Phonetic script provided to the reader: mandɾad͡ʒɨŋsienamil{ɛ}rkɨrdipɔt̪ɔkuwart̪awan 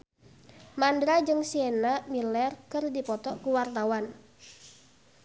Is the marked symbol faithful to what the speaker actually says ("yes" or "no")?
yes